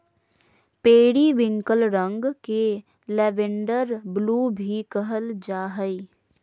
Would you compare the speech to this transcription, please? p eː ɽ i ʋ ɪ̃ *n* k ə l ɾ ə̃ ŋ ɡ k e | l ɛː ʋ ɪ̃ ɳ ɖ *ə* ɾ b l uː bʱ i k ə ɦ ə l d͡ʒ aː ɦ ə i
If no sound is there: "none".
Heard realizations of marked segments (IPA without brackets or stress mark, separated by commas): ŋ, ə